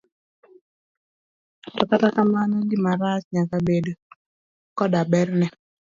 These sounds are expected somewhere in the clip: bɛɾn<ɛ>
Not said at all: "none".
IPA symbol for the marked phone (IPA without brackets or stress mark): ɛ